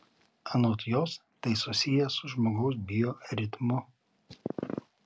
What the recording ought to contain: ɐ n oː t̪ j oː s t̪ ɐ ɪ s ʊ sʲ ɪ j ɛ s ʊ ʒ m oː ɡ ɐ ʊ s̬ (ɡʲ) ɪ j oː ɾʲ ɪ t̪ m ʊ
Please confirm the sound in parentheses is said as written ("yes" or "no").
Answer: no